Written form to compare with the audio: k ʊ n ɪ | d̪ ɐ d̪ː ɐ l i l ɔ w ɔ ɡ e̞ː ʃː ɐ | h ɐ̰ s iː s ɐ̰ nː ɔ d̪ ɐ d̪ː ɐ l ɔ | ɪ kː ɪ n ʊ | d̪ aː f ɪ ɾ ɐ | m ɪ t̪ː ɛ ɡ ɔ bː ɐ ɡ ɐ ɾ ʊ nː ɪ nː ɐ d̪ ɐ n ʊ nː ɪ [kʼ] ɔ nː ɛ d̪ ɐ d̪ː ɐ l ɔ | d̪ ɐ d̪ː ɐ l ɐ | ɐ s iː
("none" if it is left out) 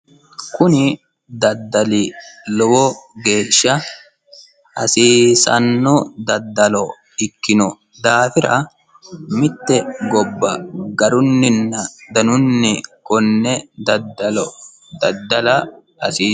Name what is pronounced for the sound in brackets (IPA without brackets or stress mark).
k